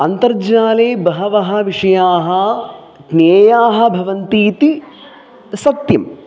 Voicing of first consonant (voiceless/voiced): voiced